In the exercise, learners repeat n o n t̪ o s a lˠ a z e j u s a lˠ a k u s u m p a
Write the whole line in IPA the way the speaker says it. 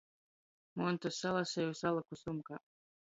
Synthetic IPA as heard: m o n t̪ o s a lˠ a s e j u s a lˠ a k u s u m k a